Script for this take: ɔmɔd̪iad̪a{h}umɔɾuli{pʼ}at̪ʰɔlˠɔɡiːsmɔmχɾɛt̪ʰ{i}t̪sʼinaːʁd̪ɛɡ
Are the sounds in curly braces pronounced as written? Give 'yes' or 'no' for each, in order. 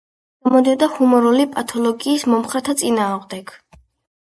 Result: yes, yes, no

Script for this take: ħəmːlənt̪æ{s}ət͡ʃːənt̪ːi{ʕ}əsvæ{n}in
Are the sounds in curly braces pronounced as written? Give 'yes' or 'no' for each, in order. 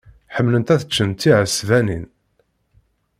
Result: no, yes, yes

